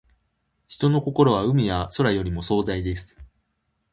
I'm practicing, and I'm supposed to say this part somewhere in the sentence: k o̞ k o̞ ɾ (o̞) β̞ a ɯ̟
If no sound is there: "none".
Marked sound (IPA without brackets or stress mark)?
o̞